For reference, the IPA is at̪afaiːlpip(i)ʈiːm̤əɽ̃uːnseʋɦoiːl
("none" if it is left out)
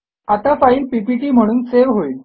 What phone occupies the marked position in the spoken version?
i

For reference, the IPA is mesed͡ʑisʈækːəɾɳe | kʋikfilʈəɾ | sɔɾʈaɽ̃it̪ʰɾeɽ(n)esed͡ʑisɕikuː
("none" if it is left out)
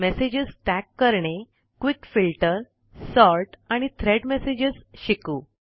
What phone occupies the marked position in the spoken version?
m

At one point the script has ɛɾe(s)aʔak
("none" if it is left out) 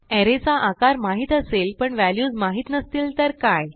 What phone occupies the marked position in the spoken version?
t͡s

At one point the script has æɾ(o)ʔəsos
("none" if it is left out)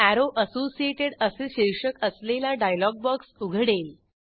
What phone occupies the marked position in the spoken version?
o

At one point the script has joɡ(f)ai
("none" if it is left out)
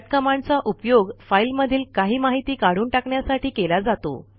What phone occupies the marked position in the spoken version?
f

